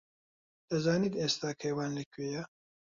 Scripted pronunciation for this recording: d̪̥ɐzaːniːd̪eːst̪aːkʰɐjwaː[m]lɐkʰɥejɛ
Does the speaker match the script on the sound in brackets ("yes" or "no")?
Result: no